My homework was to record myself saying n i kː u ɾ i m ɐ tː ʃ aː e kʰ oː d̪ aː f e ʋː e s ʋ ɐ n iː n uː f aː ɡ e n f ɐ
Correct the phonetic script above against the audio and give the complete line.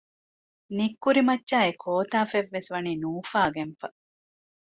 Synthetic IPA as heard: n i kː u ɾ i m ɐ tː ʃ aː e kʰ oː t̪ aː f e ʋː e s ʋ ɐ n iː n uː f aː ɡ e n f ɐ